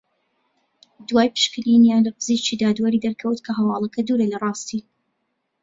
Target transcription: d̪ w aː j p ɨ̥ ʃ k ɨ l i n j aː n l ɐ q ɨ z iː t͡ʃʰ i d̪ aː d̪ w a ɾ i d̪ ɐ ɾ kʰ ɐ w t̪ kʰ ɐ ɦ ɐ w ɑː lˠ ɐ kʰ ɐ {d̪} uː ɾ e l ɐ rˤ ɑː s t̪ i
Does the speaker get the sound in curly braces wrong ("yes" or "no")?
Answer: no